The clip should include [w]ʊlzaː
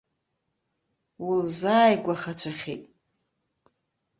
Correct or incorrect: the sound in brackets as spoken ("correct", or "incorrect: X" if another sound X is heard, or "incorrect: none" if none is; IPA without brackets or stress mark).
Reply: correct